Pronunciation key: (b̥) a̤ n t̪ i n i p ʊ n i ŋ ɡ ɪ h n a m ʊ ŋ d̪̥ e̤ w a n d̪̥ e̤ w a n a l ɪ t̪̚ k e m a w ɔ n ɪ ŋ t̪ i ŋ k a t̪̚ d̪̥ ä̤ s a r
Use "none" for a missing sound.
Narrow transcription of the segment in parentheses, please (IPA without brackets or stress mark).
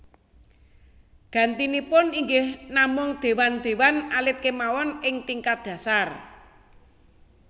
ɡ̥